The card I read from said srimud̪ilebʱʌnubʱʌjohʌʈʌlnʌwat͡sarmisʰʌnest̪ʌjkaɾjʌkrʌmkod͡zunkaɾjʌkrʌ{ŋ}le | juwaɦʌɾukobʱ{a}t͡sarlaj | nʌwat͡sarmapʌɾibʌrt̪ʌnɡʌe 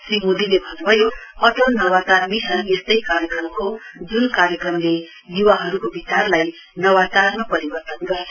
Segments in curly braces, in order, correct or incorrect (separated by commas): incorrect, incorrect